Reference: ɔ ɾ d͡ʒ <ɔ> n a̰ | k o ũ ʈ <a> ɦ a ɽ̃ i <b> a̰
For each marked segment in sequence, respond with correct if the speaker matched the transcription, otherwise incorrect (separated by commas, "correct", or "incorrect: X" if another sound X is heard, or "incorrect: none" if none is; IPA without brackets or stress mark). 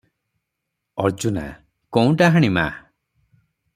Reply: incorrect: u, correct, incorrect: m